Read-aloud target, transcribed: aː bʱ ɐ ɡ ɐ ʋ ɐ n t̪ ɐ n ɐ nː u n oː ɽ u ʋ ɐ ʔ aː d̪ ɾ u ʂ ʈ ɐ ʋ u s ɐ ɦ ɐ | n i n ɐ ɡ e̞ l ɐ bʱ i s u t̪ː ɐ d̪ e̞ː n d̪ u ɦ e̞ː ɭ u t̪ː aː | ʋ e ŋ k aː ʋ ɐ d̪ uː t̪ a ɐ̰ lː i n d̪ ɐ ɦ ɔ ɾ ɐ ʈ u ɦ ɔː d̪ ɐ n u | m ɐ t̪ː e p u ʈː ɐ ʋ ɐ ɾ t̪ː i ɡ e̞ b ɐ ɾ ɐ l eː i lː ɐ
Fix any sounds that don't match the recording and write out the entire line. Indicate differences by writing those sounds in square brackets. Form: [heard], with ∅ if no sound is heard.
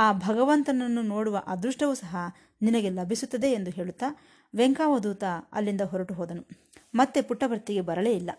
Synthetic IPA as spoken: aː bʱ ɐ ɡ ɐ ʋ ɐ n t̪ ɐ n ɐ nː u n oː ɽ u ʋ ɐ ʔ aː d̪ ɾ u ʂ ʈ ɐ ʋ u s ɐ ɦ ɐ | n i n ɐ ɡ e̞ l ɐ bʱ i s u t̪ː ɐ d̪ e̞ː n d̪ u ɦ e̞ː ɭ u t̪ː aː | ʋ e ŋ k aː ʋ ɐ d̪ uː t̪ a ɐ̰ lː i n d̪ ɐ ɦ ɔ ɾ ɐ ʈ u ɦ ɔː d̪ ɐ n u | m ɐ t̪ː e p u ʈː ɐ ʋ ɐ ɾ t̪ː i ɡ e̞ b ɐ ɾ ɐ l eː i lː ɐ